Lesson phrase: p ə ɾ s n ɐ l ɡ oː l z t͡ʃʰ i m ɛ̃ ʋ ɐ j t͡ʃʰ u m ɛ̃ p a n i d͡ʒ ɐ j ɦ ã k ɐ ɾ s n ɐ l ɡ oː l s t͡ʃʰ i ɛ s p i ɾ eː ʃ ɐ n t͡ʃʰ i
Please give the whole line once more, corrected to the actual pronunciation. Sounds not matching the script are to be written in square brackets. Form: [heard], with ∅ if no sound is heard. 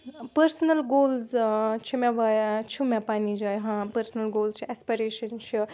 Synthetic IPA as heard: p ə ɾ s n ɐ l ɡ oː l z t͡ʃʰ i m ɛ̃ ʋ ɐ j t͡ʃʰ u m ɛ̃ p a n i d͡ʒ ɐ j ɦ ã [p] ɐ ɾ s n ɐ l ɡ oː l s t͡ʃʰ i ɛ s p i ɾ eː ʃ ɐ n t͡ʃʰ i

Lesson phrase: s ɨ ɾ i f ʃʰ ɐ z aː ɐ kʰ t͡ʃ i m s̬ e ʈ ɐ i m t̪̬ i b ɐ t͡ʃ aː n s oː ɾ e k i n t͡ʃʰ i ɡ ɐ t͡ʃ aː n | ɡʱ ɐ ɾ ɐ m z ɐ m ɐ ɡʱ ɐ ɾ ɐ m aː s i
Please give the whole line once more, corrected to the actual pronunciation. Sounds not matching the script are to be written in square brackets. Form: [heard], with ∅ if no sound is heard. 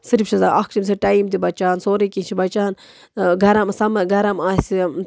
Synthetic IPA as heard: s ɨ ɾ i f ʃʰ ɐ z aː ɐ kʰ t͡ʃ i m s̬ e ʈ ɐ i m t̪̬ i b ɐ t͡ʃ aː n s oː ɾ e k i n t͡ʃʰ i [b] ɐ t͡ʃ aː n | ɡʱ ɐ ɾ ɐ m [s] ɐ m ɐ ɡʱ ɐ ɾ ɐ m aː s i

